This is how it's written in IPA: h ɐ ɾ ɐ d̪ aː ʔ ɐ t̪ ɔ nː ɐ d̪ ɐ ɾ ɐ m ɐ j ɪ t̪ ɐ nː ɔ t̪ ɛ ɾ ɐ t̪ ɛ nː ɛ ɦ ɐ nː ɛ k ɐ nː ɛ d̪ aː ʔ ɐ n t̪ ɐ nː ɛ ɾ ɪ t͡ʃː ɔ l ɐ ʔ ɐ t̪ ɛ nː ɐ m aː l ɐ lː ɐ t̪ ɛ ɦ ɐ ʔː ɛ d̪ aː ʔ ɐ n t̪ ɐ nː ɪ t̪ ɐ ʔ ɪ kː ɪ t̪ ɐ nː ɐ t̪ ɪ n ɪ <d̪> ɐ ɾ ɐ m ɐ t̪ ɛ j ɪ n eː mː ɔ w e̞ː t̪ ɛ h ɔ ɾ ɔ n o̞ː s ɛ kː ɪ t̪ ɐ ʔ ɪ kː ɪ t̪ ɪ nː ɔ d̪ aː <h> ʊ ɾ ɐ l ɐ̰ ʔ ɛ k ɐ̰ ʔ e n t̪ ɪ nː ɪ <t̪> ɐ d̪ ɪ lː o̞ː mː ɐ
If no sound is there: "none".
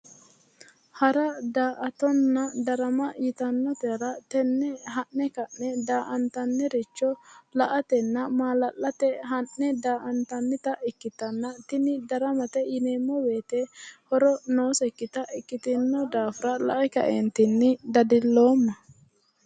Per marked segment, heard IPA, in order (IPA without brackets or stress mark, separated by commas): d̪, f, d̪